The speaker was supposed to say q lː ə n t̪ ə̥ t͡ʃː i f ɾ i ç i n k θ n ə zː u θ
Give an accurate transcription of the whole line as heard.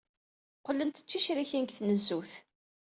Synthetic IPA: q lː ə n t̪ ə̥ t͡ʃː i ʃ ɾ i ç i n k θ n ə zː u θ